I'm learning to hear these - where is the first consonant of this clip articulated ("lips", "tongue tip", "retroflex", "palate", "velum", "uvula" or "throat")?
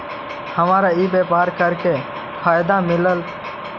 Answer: throat